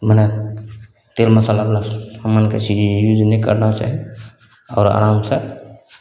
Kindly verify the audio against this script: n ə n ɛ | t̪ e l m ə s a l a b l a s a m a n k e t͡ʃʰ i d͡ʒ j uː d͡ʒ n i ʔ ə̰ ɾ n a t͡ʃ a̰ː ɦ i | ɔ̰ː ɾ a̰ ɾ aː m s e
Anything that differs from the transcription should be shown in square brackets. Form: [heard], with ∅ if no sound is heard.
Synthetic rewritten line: [m] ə n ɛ | t̪ e l m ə s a l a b l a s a m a n k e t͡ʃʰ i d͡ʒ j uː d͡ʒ n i [k] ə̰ ɾ n a t͡ʃ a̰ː ɦ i | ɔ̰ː ɾ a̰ ɾ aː m s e